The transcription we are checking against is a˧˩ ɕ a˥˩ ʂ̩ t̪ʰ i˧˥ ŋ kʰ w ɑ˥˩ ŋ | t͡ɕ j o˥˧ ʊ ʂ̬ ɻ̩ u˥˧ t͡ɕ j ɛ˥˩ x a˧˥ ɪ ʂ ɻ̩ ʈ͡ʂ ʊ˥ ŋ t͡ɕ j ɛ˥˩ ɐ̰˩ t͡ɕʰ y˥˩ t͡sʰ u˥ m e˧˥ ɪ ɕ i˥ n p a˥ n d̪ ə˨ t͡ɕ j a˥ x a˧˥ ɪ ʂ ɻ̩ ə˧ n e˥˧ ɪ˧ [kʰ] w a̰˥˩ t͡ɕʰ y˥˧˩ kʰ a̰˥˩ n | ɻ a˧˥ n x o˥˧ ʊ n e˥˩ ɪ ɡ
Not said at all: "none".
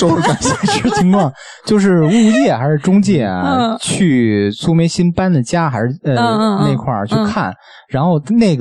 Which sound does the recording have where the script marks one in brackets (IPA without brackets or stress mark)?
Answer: kʰ